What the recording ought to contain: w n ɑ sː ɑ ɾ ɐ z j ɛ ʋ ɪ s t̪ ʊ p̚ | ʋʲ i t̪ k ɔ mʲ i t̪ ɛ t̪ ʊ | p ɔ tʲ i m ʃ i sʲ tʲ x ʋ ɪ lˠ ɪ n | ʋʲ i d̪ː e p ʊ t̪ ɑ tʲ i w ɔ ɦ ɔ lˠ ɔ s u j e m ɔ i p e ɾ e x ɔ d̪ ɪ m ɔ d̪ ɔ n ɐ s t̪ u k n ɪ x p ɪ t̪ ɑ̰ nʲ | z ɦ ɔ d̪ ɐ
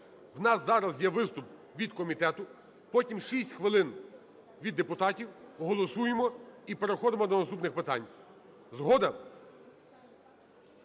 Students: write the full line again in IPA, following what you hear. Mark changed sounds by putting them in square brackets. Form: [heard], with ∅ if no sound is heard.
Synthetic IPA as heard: w n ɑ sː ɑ ɾ ɐ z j ɛ ʋ ɪ s t̪ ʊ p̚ | ʋʲ i [d̪] k ɔ mʲ i t̪ ɛ t̪ ʊ | p ɔ tʲ i m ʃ i sʲ tʲ x ʋ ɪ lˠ ɪ n | ʋʲ i d̪ː e p ʊ t̪ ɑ tʲ i w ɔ ɦ ɔ lˠ ɔ s u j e m ɔ i p e ɾ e x ɔ d̪ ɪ m ɔ d̪ ɔ n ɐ s t̪ u [p] n ɪ x p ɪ t̪ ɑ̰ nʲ | z ɦ ɔ d̪ ɐ